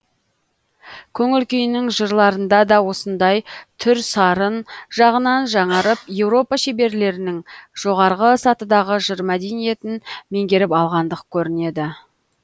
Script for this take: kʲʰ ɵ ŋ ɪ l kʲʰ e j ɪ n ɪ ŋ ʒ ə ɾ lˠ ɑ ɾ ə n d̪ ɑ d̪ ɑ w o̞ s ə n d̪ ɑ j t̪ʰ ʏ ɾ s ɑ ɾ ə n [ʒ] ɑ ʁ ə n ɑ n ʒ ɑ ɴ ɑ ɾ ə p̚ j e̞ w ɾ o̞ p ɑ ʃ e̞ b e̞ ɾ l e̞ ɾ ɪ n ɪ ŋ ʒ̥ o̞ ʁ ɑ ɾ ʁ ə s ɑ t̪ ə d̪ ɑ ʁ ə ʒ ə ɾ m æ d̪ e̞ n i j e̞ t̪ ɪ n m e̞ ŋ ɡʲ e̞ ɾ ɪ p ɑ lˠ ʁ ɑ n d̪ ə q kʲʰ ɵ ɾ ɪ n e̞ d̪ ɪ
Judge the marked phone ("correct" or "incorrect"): correct